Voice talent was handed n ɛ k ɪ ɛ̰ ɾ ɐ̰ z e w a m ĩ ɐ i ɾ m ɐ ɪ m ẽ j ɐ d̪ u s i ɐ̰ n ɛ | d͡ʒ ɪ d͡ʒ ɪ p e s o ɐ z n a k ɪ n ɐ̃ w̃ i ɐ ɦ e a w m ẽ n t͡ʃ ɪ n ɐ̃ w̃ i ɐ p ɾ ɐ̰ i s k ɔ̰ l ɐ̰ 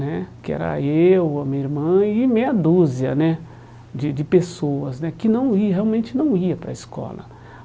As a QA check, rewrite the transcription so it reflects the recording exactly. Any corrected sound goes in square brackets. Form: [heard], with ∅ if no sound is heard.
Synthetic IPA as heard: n ɛ k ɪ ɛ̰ ɾ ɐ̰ [∅] e w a m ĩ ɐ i ɾ m [ɐ̃] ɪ m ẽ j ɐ d̪ u [z] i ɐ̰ n ɛ | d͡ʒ ɪ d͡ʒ ɪ p e s o ɐ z n [ɛ] k ɪ n ɐ̃ w̃ i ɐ ɦ e a w m ẽ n t͡ʃ ɪ n ɐ̃ w̃ i ɐ p ɾ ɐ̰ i s k ɔ̰ l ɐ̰

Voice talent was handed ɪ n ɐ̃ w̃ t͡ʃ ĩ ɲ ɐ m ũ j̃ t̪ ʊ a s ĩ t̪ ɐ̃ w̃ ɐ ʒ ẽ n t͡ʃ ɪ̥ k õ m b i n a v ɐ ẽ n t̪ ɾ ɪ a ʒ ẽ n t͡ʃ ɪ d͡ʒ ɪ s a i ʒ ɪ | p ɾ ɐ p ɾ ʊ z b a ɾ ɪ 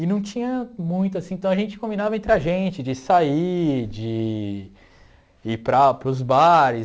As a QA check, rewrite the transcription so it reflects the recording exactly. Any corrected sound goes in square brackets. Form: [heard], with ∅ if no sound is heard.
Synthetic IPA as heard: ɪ n ɐ̃ w̃ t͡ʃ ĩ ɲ ɐ m ũ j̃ t̪ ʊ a s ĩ t̪ ɐ̃ w̃ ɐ ʒ ẽ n t͡ʃ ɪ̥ k õ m b i n a v ɐ ẽ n t̪ ɾ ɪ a ʒ ẽ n t͡ʃ ɪ d͡ʒ ɪ s a i [d͡ʒ] ɪ | p ɾ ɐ p ɾ ʊ z b a ɾ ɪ

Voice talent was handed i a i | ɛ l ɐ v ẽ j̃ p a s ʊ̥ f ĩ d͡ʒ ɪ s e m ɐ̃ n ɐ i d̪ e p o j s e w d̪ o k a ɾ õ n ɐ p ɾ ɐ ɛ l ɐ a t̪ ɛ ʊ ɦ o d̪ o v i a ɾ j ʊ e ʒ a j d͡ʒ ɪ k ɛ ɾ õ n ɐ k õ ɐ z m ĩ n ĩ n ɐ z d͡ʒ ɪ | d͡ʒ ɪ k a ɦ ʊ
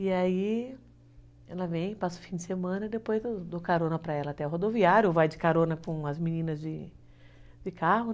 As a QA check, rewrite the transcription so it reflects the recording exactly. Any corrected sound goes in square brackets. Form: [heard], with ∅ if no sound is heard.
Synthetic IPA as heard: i a i | ɛ l ɐ v ẽ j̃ p a s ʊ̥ f ĩ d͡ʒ ɪ s e m ɐ̃ n ɐ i d̪ e p o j [z] e w d̪ o k a ɾ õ n ɐ p ɾ ɐ ɛ l ɐ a t̪ ɛ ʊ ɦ o d̪ o v i a ɾ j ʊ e [v] a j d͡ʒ ɪ k [a] ɾ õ n ɐ k õ ɐ z m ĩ n ĩ n ɐ z d͡ʒ ɪ | d͡ʒ ɪ k a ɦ ʊ

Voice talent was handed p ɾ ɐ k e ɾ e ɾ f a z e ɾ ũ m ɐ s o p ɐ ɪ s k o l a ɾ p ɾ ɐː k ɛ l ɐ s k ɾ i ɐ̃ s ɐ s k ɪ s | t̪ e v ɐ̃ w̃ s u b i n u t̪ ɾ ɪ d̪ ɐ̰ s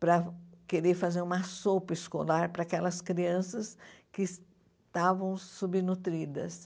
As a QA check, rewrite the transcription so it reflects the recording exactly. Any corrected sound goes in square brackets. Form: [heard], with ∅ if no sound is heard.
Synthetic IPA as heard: p ɾ ɐ k e ɾ e ɾ f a z e ɾ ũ m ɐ s o p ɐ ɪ s k o l a ɾ p ɾ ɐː k ɛ l ɐ s k ɾ i ɐ̃ s ɐ s k ɪ s | t̪ [a] v ɐ̃ w̃ s u b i n u t̪ ɾ [i] d̪ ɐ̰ s

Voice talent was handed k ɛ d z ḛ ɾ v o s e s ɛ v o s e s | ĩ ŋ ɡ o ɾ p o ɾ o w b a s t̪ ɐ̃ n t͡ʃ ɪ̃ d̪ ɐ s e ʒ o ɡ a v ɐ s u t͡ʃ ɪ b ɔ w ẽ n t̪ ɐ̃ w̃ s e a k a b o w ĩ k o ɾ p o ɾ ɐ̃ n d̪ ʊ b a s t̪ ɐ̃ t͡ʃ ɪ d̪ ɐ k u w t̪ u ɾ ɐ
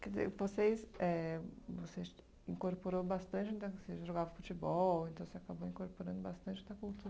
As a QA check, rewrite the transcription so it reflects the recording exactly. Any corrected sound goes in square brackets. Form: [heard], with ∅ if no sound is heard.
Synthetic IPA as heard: k ɛ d z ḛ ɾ v o s e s ɛ v o s e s | ĩ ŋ [k] o ɾ p o ɾ o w b a s t̪ ɐ̃ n t͡ʃ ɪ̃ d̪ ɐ s e ʒ o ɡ a v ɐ [f] u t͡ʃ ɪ b ɔ w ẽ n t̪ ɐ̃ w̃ s e a k a b o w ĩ k o ɾ p o ɾ ɐ̃ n d̪ ʊ b a s t̪ ɐ̃ t͡ʃ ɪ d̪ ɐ k u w t̪ u ɾ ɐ

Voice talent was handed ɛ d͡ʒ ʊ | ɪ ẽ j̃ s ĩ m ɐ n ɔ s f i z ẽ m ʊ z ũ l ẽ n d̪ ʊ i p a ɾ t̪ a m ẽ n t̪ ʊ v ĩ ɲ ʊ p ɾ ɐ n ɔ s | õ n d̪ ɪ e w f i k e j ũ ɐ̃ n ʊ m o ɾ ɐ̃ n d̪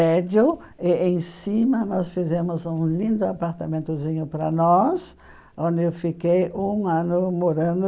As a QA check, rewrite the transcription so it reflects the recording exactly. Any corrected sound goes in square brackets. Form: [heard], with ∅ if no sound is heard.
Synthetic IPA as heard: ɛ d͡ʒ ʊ | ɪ ẽ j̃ s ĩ m ɐ n ɔ s f i z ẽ m ʊ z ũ l [ĩ] n d̪ ʊ [a] p a ɾ t̪ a m ẽ n t̪ ʊ [z] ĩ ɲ ʊ p ɾ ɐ n ɔ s | õ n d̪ ɪ e w f i k e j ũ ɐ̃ n ʊ m o ɾ ɐ̃ n d̪

